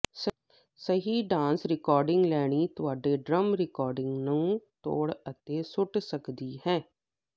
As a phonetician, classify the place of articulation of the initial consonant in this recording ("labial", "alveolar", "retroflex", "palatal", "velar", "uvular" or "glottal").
alveolar